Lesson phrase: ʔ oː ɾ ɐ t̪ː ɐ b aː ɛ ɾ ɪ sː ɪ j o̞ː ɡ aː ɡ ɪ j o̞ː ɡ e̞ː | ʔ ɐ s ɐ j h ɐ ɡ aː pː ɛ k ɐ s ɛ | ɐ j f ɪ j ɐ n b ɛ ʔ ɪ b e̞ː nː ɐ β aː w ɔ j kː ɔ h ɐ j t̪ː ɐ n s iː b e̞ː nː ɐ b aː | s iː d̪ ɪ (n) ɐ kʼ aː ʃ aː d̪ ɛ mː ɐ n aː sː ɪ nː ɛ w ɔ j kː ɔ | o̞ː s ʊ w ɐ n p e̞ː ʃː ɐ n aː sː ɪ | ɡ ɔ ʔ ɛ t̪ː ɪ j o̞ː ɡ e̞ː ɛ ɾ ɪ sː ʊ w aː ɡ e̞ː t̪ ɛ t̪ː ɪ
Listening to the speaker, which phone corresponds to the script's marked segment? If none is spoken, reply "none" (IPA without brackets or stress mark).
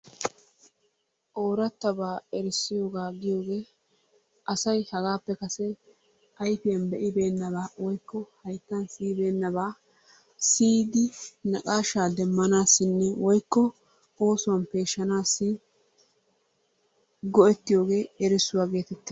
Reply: n